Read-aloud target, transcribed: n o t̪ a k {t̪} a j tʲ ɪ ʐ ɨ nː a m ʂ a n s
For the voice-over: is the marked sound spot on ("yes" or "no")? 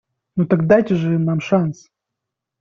no